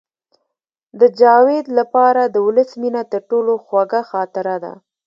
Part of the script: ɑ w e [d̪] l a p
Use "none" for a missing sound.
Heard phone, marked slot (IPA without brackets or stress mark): d̪